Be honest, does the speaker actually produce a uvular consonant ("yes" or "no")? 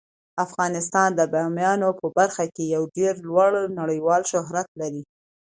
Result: no